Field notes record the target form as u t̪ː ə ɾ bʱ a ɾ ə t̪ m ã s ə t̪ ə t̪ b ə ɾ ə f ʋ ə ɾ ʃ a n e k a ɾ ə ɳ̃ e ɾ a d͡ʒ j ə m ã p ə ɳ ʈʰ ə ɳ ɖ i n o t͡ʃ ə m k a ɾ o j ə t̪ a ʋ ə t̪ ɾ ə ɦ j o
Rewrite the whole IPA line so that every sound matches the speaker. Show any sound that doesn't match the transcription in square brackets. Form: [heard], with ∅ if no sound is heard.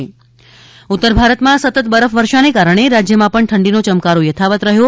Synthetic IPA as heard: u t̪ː ə ɾ bʱ a ɾ ə t̪ m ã s ə t̪ ə t̪ b ə ɾ ə f ʋ ə ɾ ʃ a n e k a ɾ ə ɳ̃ e ɾ a d͡ʒ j ə m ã p ə ɳ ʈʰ ə ɳ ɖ i n o t͡ʃ ə m k a ɾ o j ə [t̪ʰ] a ʋ ə t̪ ɾ ə ɦ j o